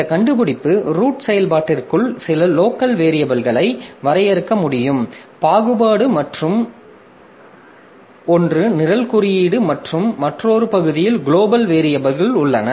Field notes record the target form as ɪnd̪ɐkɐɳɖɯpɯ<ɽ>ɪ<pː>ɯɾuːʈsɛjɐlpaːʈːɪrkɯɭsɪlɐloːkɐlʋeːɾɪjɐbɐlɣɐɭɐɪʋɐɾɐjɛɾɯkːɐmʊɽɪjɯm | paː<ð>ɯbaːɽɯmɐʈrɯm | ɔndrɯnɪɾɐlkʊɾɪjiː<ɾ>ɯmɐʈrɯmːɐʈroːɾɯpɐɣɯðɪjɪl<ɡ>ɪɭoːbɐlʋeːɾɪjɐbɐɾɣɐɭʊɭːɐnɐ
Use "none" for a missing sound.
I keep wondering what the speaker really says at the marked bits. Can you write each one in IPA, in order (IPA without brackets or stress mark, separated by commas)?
ɽ, pː, ɣ, ɽ, ɡ